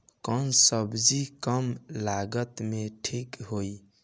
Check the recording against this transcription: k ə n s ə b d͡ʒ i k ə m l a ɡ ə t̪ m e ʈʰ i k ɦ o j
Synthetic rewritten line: k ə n s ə b d͡ʒ i k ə m l a ɡ ə t̪ m e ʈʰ i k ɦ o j

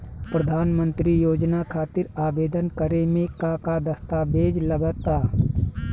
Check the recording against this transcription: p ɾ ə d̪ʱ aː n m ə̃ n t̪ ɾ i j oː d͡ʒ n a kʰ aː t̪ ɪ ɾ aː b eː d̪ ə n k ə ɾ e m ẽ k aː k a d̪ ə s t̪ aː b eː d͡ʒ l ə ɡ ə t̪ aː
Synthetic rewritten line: p ɾ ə d̪ʱ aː n m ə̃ n t̪ ɾ i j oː d͡ʒ n a kʰ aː t̪ ɪ ɾ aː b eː d̪ ə n k ə ɾ e m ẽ k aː k a d̪ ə s t̪ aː b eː d͡ʒ l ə ɡ ə t̪ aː

